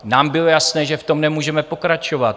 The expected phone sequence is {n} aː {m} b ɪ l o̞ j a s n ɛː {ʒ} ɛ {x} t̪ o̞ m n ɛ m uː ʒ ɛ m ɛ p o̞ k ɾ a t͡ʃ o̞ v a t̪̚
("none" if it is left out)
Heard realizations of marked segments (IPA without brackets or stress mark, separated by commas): n, m, ʒ, f